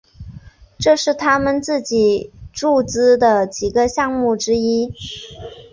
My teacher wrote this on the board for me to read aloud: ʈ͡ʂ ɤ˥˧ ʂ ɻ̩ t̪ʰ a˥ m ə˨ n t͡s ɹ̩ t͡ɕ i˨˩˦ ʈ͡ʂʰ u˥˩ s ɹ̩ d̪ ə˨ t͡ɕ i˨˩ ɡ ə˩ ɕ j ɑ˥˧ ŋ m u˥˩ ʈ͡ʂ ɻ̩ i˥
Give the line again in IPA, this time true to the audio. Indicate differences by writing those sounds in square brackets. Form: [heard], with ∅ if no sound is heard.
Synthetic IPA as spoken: ʈ͡ʂ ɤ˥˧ ʂ ɻ̩ t̪ʰ a˥ m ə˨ n t͡s ɹ̩ t͡ɕ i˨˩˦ [ʈ͡ʂ] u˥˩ [t͡s] ɹ̩ d̪ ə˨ t͡ɕ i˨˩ ɡ [ə˧] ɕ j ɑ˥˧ ŋ m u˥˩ ʈ͡ʂ ɻ̩ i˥